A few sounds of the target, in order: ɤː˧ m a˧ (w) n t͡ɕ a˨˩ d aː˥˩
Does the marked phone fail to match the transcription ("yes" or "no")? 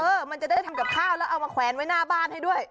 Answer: yes